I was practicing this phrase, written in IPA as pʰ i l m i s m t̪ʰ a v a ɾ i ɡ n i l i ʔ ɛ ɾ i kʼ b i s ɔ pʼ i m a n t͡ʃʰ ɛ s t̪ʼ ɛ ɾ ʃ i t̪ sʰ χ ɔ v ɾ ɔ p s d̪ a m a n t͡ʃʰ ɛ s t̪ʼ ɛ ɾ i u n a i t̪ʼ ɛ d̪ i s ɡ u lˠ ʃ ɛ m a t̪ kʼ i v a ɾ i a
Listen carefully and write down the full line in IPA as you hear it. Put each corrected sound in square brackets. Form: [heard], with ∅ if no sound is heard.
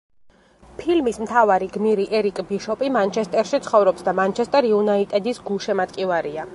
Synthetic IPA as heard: pʰ i l m i s m t̪ʰ a v a ɾ i ɡ [m] i [ɾ] i ʔ ɛ ɾ i kʼ b i [ʃ] ɔ pʼ i m a n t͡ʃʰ ɛ s t̪ʼ ɛ ɾ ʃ i t̪ sʰ χ ɔ v ɾ ɔ p s d̪ a m a n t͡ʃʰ ɛ s t̪ʼ ɛ ɾ i u n a i t̪ʼ ɛ d̪ i s ɡ u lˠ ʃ ɛ m a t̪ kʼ i v a ɾ i a